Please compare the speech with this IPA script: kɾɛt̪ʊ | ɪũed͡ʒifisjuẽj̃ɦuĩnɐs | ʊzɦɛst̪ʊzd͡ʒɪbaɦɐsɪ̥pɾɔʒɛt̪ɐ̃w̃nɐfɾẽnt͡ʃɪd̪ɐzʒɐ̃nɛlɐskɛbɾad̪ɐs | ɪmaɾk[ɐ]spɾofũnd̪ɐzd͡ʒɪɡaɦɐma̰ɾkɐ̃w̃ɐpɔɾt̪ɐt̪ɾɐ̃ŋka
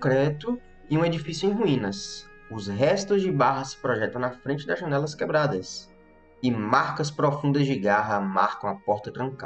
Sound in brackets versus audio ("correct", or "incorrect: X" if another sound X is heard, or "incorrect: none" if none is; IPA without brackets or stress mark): correct